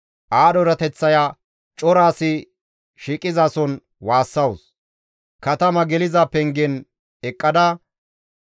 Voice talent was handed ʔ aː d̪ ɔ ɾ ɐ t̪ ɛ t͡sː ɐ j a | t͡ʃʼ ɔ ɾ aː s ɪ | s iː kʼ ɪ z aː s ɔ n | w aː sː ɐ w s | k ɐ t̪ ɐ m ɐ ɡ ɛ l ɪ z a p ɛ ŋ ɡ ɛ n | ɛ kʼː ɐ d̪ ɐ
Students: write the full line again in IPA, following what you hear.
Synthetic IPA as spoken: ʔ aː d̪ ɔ ɾ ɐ t̪ ɛ t͡sː ɐ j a | t͡ʃʼ ɔ ɾ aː s ɪ | ʃ iː kʼ ɪ z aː s ɔ n | w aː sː ɐ w s | k ɐ t̪ ɐ m ɐ ɡ ɛ l ɪ z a p ɛ ŋ ɡ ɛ n | ɛ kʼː ɐ d̪ ɐ